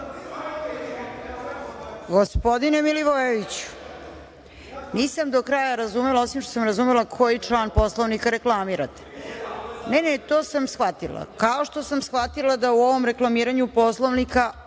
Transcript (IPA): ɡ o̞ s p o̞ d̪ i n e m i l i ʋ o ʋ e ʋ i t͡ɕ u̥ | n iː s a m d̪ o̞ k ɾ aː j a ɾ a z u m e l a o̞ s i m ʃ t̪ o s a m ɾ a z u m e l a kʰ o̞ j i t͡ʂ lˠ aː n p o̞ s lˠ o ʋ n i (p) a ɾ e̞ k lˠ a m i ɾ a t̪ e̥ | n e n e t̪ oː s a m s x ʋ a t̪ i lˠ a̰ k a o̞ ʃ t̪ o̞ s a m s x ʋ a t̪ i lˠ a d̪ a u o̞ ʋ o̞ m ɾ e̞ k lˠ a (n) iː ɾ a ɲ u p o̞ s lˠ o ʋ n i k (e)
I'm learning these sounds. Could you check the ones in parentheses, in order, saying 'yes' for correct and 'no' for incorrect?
no, no, no

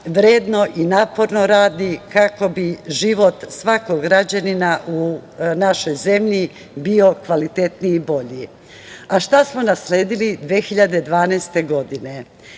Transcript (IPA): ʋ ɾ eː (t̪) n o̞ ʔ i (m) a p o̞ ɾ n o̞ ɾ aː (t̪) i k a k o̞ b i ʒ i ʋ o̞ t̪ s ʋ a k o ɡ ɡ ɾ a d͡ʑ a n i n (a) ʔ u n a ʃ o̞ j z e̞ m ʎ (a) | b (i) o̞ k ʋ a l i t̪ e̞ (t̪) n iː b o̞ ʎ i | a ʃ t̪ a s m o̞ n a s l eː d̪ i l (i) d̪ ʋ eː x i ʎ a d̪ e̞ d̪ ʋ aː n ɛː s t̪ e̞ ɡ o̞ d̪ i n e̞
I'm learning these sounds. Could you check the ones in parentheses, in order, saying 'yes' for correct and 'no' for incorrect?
no, no, no, yes, no, yes, yes, yes

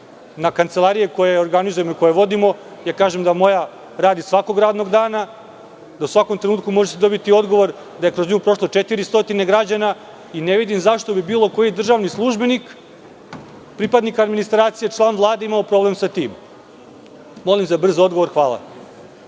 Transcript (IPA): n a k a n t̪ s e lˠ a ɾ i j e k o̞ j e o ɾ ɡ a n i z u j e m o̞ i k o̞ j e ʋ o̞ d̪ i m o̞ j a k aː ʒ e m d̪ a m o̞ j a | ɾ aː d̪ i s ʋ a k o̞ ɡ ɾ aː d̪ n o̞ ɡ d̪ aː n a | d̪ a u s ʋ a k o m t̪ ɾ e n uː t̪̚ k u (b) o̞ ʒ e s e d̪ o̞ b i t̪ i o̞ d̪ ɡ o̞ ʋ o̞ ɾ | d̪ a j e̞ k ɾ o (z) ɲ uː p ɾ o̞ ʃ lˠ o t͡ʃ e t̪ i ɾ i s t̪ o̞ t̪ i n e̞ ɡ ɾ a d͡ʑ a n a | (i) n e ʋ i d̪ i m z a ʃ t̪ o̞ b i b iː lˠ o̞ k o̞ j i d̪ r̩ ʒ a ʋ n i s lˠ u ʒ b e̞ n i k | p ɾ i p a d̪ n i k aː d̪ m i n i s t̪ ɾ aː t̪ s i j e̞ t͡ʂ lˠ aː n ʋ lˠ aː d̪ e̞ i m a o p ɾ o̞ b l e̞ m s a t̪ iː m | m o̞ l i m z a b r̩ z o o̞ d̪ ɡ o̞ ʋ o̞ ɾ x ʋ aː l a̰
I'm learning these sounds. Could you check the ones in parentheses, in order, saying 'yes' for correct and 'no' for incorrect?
no, yes, yes

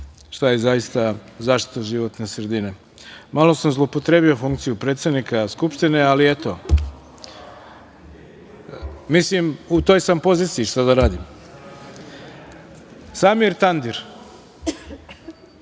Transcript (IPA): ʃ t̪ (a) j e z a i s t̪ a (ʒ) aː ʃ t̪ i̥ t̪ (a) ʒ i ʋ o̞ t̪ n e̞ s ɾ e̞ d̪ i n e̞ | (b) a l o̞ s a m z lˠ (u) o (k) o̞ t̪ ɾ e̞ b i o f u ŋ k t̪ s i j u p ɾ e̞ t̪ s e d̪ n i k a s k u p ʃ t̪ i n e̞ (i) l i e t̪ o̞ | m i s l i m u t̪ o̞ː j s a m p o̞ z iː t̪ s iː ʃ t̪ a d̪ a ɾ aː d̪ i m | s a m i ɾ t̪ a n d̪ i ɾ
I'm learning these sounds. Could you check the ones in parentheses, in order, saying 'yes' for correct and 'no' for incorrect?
yes, no, yes, no, no, no, no

